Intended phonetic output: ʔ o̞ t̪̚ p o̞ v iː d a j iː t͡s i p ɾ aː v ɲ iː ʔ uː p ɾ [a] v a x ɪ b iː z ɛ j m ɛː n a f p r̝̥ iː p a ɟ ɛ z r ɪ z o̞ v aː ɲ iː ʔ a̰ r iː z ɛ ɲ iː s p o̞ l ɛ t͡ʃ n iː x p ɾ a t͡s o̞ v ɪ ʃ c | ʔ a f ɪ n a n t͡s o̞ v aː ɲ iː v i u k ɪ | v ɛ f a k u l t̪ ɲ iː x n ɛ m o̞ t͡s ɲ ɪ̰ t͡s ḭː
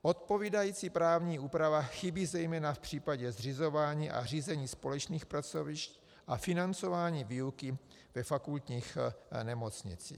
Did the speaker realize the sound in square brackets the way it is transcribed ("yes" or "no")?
yes